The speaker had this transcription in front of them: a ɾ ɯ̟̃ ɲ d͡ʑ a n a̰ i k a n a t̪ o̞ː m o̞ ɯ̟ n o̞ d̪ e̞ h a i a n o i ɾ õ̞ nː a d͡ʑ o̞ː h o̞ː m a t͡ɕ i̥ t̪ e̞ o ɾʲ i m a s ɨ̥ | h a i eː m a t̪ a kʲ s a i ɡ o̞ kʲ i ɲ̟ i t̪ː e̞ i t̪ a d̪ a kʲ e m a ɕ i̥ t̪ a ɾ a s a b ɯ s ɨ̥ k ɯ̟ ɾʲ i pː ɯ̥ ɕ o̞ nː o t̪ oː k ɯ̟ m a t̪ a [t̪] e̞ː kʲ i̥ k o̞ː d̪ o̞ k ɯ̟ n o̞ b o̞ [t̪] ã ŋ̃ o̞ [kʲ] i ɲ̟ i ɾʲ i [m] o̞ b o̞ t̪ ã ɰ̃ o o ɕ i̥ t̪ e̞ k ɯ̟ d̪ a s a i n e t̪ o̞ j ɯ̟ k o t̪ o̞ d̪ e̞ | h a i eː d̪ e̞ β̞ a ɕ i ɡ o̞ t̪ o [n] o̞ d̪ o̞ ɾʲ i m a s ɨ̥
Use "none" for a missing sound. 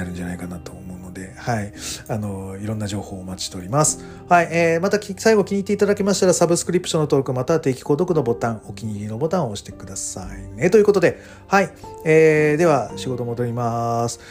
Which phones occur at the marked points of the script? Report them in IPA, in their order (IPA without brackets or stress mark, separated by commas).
t̪, t̪, kʲ, n, m